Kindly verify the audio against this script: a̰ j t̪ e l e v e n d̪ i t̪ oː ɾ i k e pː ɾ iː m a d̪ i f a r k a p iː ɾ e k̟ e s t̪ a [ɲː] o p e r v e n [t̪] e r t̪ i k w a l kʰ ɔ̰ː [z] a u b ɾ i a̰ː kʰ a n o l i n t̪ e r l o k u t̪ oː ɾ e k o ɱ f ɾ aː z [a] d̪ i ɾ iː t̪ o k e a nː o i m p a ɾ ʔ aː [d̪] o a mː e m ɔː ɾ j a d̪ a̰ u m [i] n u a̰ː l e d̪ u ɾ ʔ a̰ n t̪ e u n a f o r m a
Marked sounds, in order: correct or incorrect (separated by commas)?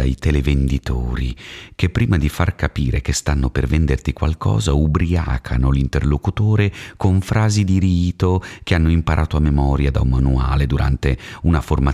incorrect, incorrect, correct, incorrect, incorrect, incorrect